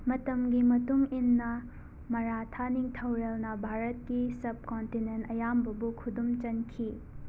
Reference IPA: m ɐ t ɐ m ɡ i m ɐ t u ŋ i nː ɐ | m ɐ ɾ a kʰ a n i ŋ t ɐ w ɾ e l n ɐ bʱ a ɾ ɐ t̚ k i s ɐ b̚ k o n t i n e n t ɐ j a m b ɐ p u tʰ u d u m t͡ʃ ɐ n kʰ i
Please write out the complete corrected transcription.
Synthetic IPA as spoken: m ɐ t ɐ m ɡ i m ɐ t u ŋ i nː ɐ | m ɐ ɾ a tʰ a n i ŋ tʰ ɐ w ɾ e l n ɐ bʱ a ɾ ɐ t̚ k i s ɐ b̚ k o n t i n e n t ɐ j a m b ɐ b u kʰ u d u m t͡ʃ ɐ n kʰ i